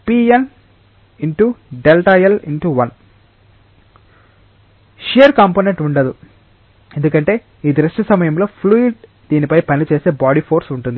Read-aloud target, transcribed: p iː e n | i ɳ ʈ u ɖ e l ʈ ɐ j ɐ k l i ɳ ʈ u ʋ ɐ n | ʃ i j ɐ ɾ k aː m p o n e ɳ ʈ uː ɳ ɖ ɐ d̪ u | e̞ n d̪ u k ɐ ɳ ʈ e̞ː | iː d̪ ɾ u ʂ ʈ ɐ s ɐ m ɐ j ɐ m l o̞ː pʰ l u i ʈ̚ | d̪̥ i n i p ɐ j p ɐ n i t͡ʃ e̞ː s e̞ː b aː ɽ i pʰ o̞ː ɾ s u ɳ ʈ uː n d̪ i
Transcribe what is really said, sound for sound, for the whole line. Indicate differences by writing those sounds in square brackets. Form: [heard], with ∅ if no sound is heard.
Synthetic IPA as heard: p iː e n | i ɳ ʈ u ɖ e l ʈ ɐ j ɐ [∅] l i ɳ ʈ u ʋ ɐ n | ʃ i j ɐ ɾ k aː m p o n e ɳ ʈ [u] ɳ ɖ ɐ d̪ u | e̞ n d̪ u k ɐ ɳ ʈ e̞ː | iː d̪ ɾ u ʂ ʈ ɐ s ɐ m ɐ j ɐ m l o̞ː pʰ l u i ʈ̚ | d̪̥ [iː] n i p ɐ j p ɐ n i t͡ʃ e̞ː s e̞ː b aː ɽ i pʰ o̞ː ɾ s u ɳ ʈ [u] n d̪ i